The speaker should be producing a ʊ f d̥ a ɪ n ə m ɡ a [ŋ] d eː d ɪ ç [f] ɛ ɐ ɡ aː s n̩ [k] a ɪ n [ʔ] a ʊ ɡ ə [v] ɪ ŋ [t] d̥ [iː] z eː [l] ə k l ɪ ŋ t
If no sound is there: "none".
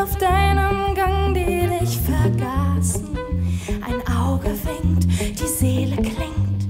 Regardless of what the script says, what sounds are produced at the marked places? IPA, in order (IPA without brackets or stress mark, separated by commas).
ŋ, f, ʔ, ʔ, v, t, iː, l